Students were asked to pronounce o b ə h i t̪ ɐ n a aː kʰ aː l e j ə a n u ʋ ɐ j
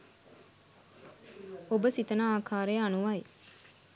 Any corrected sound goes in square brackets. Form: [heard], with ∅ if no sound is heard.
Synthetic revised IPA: o b ə [s] i t̪ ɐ n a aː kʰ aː [ɾ] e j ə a n u ʋ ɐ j